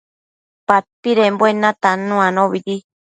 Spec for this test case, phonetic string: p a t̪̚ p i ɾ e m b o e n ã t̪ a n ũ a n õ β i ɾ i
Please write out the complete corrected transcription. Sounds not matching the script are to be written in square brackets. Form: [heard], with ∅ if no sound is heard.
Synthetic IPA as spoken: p a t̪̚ p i ɾ e m b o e n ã t̪ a n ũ a n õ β i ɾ i

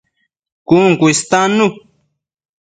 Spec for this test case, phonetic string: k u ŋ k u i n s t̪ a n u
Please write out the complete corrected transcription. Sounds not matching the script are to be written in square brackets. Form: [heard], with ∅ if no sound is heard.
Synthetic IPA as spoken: k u ŋ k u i [∅] s t̪ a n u

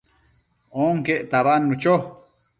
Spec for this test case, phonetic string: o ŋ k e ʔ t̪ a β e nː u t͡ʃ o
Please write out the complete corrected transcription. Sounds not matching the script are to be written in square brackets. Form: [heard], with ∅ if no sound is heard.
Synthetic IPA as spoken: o ŋ k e ʔ t̪ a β [a] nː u t͡ʃ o

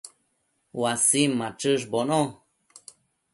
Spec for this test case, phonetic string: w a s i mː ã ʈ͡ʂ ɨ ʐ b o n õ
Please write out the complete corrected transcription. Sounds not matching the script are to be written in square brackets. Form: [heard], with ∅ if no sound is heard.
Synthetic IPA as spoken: w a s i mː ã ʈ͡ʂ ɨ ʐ b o n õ

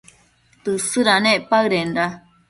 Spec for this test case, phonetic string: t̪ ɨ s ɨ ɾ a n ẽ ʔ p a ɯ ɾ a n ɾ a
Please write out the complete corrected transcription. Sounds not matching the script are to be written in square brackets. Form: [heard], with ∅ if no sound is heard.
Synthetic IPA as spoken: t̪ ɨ s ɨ ɾ a n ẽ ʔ p a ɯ ɾ [e] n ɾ a

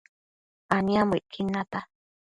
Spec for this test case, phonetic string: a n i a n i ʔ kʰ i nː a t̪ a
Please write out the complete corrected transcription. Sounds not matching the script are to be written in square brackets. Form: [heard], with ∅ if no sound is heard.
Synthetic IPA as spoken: a n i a [m] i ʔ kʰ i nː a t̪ a

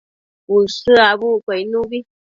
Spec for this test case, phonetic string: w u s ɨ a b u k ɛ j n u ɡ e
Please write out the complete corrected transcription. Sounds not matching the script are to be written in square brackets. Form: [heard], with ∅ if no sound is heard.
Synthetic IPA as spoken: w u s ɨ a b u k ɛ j n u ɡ [i]

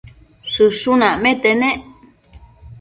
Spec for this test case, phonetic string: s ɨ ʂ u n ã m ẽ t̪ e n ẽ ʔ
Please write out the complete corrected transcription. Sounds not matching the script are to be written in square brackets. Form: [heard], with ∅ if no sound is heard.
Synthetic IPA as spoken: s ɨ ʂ u n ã m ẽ t̪ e n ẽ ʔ

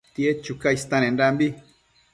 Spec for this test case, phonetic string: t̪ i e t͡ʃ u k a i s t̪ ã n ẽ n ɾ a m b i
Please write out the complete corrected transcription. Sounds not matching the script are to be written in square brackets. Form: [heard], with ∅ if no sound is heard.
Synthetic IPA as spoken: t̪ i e t͡ʃ u k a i s t̪ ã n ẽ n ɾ a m b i

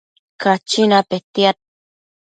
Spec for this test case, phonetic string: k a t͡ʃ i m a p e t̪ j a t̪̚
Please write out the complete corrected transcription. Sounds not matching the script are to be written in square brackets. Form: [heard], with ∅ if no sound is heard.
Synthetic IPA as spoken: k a t͡ʃ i [n] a p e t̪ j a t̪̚

